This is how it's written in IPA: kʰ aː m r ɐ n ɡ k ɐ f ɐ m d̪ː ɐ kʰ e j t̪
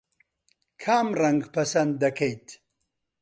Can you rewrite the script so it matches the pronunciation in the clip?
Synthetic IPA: kʰ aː m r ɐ ŋ ɡ p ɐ s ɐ n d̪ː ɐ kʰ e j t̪